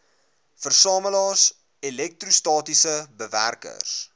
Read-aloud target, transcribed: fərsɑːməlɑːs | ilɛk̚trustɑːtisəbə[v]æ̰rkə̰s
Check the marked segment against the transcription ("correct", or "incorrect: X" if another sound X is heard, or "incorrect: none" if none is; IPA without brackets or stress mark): correct